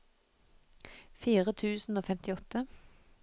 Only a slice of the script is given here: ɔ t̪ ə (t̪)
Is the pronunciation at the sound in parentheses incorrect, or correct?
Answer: incorrect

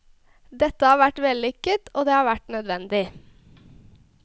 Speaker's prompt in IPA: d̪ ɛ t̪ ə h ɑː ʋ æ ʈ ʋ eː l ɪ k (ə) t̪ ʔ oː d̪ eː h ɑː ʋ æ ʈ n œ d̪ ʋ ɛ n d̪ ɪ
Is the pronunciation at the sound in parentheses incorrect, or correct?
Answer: correct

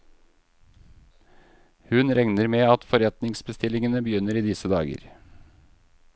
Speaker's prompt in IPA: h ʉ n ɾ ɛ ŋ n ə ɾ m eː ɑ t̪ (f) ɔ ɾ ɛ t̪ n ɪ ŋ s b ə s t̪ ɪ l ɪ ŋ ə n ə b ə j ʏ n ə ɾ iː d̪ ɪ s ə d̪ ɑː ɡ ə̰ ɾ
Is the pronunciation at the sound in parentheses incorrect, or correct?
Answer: correct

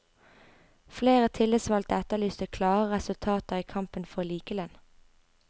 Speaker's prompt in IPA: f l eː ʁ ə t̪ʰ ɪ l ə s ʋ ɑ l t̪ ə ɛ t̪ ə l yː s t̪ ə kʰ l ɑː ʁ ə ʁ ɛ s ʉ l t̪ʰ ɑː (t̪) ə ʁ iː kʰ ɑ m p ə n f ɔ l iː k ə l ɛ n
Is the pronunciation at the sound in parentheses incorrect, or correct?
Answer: correct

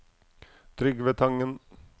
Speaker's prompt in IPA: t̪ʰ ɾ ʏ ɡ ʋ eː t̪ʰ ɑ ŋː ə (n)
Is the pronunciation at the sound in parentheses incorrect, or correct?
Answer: correct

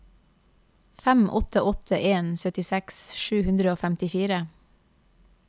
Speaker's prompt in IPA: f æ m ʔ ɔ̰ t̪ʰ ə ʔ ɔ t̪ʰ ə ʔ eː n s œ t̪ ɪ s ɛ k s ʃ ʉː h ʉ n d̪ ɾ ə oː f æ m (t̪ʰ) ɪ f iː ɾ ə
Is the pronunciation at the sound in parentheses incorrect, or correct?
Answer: incorrect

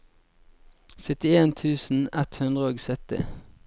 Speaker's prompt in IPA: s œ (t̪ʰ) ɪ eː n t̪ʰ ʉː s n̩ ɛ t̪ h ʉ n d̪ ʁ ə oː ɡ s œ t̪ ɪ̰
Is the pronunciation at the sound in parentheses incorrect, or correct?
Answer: incorrect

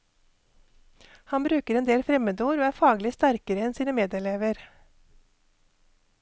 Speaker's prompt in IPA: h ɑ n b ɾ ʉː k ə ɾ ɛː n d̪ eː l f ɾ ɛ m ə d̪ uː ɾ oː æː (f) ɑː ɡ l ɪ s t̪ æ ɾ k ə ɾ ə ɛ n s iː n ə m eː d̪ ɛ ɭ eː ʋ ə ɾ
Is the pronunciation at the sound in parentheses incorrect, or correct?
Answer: correct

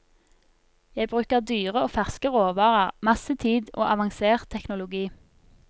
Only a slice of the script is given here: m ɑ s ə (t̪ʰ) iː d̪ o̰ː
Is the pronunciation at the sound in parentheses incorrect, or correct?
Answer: correct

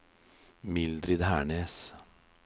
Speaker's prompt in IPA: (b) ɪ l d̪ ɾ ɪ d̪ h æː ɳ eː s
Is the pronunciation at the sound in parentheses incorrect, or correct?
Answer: incorrect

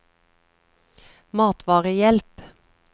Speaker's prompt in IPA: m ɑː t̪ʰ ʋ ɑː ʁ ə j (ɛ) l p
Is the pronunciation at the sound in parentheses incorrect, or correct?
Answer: correct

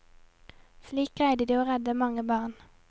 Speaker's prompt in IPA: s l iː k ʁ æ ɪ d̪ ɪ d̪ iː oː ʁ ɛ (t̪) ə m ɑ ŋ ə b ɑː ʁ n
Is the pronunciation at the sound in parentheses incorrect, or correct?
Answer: incorrect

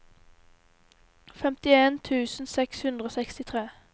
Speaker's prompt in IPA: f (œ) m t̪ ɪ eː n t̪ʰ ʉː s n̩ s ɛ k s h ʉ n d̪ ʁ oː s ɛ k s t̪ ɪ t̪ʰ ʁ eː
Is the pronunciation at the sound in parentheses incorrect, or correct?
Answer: incorrect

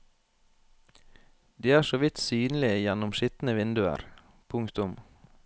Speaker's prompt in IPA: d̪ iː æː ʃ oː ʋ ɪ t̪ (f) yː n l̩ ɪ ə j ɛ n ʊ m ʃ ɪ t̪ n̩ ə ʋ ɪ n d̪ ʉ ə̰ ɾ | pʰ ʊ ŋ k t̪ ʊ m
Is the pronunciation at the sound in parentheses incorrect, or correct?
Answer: incorrect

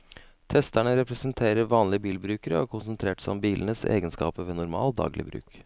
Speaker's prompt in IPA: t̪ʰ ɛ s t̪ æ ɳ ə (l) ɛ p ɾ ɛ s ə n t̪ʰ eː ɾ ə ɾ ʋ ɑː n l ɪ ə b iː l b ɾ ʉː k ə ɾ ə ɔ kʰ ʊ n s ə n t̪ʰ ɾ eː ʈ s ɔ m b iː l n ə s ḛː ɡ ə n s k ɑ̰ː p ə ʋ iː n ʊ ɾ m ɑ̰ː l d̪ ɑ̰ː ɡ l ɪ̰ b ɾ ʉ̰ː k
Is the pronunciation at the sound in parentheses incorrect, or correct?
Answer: incorrect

